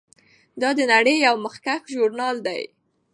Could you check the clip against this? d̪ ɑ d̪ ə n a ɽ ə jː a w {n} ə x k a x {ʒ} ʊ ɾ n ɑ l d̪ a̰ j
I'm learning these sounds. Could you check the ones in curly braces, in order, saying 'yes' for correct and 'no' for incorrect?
no, yes

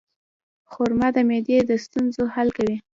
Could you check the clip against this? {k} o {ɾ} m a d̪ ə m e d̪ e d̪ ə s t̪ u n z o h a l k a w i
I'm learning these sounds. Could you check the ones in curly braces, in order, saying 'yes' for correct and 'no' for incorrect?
no, yes

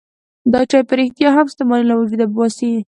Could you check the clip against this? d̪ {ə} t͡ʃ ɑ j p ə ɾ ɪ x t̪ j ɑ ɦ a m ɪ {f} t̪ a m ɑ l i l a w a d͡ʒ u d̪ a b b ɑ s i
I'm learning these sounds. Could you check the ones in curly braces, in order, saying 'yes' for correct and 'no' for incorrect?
no, no

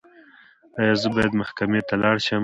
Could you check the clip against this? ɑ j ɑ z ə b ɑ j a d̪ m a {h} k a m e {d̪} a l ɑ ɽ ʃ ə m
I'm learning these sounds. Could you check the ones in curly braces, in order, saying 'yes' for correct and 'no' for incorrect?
yes, no

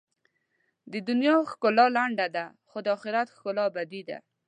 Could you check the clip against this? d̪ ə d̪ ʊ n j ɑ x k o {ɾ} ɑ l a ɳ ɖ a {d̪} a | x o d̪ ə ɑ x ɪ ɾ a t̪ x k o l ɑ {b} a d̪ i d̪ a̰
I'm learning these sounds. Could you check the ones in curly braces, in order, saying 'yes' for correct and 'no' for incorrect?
no, yes, yes

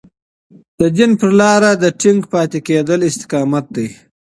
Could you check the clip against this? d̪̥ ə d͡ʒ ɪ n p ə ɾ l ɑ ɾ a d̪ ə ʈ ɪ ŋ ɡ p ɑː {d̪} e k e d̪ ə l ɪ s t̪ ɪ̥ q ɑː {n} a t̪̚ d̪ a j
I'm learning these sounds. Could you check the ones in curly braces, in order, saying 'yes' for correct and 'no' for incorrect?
no, no

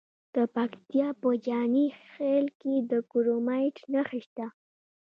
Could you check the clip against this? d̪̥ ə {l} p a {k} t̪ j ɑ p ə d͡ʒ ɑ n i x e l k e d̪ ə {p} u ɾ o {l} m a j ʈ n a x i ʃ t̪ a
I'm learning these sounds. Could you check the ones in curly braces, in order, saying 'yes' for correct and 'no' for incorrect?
no, yes, no, no

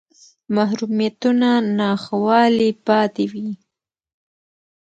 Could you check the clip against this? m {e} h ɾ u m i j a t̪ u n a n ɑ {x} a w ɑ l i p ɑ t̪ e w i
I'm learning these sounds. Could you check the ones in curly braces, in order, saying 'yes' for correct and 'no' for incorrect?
no, yes

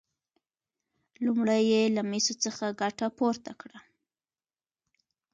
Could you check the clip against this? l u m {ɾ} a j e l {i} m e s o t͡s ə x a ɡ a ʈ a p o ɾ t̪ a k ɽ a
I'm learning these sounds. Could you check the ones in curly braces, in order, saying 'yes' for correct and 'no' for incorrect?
no, no

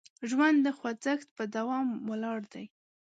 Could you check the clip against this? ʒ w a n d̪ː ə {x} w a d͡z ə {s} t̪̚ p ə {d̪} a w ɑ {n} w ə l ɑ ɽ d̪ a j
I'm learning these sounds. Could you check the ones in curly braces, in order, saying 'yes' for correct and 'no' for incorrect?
yes, no, yes, no

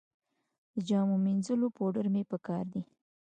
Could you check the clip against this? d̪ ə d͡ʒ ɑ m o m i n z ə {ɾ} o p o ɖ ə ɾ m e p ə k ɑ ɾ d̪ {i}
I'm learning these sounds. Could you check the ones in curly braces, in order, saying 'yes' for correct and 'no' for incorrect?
no, yes

